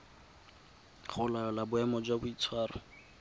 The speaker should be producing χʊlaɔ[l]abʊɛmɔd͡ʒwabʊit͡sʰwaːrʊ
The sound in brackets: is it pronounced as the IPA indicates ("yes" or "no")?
yes